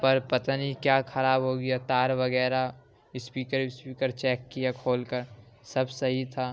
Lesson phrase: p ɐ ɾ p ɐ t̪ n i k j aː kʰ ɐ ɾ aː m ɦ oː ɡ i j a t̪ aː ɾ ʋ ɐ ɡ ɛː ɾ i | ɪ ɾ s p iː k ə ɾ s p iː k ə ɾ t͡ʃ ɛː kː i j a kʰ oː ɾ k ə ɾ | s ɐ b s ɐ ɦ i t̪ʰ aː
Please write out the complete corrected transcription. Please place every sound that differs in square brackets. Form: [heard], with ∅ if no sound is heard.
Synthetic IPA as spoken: p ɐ ɾ p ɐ t̪ n i k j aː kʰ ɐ ɾ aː [b] ɦ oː ɡ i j a t̪ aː ɾ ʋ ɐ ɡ ɛː ɾ [a] | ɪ [∅] s p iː k ə ɾ s p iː k ə ɾ t͡ʃ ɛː kː i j a kʰ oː [l] k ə ɾ | s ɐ b s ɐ ɦ i t̪ʰ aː